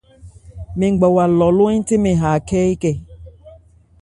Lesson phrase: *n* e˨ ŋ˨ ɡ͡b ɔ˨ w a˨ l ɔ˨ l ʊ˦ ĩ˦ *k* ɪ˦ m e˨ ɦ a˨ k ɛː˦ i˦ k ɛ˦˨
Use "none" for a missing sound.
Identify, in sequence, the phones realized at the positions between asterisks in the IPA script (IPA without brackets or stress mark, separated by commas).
m, t